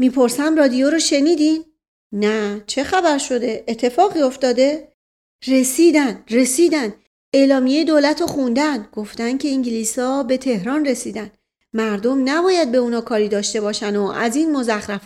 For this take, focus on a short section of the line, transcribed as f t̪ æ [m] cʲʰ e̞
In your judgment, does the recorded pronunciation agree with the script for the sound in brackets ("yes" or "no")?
no